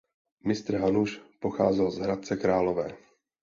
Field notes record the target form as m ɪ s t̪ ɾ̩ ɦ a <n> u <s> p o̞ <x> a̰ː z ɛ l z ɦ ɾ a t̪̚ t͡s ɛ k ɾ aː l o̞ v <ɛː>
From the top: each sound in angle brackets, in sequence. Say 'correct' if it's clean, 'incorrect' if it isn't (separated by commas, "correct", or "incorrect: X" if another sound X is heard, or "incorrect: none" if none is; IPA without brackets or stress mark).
correct, incorrect: ʃ, correct, correct